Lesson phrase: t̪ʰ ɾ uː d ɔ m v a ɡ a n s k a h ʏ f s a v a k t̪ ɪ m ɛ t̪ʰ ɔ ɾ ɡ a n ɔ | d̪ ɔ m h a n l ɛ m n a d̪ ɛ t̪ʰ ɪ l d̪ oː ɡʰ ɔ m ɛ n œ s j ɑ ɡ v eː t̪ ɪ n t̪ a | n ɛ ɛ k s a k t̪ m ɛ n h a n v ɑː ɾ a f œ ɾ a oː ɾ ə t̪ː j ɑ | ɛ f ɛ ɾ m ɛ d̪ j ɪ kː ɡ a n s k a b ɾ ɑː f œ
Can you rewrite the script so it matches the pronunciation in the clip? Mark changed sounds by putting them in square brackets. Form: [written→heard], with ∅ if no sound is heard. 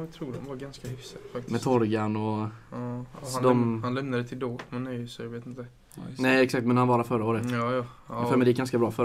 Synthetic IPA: t̪ʰ ɾ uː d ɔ m v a ɡ a n s k a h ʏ f s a [v→f] a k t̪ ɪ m ɛ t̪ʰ ɔ ɾ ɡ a n ɔ | d̪ ɔ m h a n l ɛ m n a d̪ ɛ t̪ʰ ɪ l d̪ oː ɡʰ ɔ m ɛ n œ s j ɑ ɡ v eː t̪ ɪ n t̪ [a→ə] | n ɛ ɛ k s a k t̪ m ɛ n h a n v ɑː ɾ a f œ ɾ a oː ɾ ə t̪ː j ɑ | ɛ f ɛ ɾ m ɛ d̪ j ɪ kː ɡ a n s k a b ɾ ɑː f œ